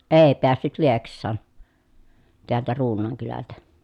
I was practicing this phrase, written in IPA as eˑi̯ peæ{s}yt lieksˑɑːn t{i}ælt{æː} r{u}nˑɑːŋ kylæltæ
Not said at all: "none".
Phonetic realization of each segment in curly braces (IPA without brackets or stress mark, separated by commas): sː, e, æ, uː